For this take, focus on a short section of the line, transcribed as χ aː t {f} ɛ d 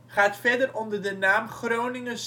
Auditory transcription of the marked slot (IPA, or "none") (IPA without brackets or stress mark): f